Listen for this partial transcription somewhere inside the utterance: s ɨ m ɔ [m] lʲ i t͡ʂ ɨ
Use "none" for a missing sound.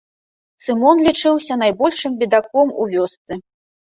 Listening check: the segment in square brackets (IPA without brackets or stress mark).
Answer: n